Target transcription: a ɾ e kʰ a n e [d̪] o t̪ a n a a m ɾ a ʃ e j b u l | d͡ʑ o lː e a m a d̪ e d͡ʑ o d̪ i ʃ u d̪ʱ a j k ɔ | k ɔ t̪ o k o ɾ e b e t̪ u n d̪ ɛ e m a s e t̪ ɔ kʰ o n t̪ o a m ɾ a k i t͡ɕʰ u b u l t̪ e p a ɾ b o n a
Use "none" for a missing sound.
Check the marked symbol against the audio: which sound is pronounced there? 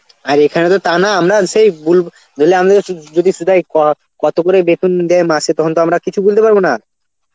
t̪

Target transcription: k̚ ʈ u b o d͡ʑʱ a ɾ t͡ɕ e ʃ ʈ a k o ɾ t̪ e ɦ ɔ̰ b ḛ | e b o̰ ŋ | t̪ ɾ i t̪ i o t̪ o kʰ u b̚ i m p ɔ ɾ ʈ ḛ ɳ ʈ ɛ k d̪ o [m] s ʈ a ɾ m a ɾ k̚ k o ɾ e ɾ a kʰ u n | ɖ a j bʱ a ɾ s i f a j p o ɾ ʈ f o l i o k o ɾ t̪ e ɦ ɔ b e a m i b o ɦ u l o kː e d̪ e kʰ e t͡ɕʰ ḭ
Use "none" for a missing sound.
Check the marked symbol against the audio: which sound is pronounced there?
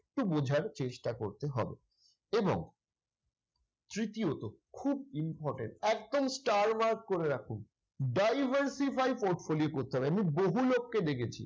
m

